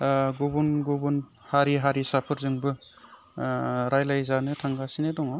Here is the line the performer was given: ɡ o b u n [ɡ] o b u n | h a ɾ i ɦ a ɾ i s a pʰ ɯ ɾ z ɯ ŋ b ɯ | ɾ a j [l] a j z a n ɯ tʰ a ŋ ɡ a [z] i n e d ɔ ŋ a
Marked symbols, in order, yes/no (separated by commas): yes, yes, no